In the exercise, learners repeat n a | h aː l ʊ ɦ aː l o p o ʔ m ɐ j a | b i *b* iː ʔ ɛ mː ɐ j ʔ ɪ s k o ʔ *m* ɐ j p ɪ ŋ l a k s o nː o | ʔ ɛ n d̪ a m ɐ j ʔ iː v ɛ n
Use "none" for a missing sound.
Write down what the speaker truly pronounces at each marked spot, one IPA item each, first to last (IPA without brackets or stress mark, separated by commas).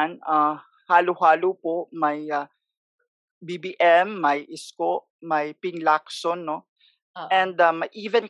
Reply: b, m